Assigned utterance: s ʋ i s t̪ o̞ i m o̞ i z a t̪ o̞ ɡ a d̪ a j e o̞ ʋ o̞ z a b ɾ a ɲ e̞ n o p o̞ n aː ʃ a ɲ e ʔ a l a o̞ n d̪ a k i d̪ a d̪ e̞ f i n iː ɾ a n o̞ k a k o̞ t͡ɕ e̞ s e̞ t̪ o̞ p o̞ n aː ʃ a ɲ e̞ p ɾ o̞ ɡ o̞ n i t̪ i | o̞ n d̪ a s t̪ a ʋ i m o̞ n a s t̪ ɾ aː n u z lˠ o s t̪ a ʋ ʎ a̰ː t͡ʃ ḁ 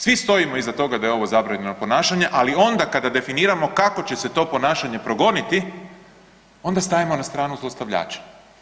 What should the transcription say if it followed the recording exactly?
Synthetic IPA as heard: s ʋ i s t̪ o̞ i m o̞ i z a t̪ o̞ ɡ a d̪ a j e o̞ ʋ o̞ z a b ɾ a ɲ e̞ n o p o̞ n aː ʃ a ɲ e ʔ a l i o̞ n d̪ a k a d̪ a d̪ e̞ f i n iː ɾ a m o̞ k a k o̞ t͡ɕ e̞ s e̞ t̪ o̞ p o̞ n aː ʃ a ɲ e̞ p ɾ o̞ ɡ o̞ n i t̪ i | o̞ n d̪ a s t̪ a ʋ i m o̞ n a s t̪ ɾ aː n u z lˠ o s t̪ a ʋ ʎ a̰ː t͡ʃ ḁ